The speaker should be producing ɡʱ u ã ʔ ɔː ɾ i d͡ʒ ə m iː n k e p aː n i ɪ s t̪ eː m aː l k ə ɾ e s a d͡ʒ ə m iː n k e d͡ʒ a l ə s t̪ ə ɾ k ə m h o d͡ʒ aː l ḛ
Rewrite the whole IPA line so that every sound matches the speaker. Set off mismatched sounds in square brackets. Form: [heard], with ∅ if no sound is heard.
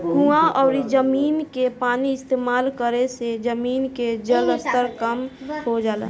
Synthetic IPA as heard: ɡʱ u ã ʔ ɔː ɾ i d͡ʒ ə m iː n k e p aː n i ɪ s t̪ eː m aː l k ə ɾ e s [e] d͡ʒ ə m iː n k e d͡ʒ [ə] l ə s t̪ ə ɾ k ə m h o d͡ʒ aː l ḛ